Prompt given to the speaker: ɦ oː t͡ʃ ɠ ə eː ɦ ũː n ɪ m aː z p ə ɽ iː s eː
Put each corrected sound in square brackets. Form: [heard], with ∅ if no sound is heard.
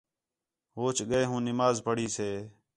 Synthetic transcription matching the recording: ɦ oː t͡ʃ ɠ ə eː ɦ ũː n ɪ m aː z p ə ɽ iː s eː